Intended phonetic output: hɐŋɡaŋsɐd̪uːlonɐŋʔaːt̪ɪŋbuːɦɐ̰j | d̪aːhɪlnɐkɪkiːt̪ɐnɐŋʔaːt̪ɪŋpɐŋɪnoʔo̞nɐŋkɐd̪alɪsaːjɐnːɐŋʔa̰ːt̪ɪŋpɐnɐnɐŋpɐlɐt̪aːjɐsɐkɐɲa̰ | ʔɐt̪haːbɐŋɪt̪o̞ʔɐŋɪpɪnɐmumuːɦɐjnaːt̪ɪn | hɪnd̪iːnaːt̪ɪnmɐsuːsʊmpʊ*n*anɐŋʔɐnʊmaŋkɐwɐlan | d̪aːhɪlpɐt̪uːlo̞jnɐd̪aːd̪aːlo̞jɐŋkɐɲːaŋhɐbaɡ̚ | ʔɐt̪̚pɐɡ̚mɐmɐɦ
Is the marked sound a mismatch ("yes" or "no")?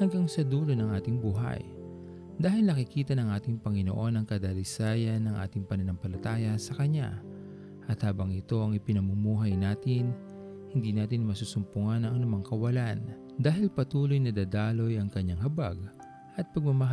yes